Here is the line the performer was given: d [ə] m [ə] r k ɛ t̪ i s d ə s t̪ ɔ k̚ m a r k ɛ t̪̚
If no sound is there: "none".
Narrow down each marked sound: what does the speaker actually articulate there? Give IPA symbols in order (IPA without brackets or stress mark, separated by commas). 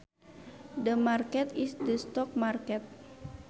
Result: ə, a